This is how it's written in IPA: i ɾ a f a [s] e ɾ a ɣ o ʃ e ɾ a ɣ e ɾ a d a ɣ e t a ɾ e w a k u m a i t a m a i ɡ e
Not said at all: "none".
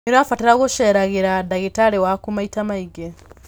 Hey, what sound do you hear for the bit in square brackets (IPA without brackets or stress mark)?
t